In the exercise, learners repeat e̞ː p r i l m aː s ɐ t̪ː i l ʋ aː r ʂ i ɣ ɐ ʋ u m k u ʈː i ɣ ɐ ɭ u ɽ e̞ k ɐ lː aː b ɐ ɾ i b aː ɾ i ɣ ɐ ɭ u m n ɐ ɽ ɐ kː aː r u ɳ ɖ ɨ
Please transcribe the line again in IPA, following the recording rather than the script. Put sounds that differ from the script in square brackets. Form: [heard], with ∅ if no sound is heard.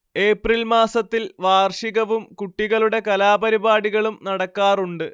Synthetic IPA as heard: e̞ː p r i l m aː s ɐ t̪ː i l ʋ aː r ʂ i ɣ ɐ ʋ u m k u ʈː i ɣ ɐ ɭ u ɽ e̞ k ɐ [l] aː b ɐ ɾ i b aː [ɽ] i ɣ ɐ ɭ u m n ɐ ɽ ɐ kː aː r u ɳ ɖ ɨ